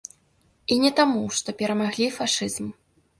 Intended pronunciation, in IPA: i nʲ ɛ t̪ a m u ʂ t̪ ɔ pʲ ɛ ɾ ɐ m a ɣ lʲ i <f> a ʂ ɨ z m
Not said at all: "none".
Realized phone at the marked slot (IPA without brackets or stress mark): f